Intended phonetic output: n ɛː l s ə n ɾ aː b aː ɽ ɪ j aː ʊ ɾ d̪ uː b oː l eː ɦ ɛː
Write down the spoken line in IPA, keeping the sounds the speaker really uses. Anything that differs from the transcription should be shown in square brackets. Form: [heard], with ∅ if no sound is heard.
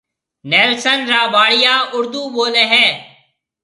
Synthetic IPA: n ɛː l s ə n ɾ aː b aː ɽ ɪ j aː ʊ ɾ d̪ uː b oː l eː ɦ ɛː